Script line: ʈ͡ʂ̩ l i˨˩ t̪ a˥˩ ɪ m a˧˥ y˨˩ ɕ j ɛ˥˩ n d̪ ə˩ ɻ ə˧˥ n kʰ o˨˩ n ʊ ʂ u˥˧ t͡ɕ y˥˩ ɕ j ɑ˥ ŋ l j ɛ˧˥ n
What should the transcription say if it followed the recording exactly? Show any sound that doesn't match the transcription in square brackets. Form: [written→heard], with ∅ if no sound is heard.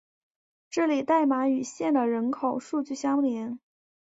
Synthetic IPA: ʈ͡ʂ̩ l i˨˩ t̪ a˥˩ ɪ m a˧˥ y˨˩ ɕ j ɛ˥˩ n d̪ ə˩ ɻ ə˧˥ n kʰ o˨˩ [n→∅] ʊ ʂ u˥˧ t͡ɕ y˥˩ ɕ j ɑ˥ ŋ l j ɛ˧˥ n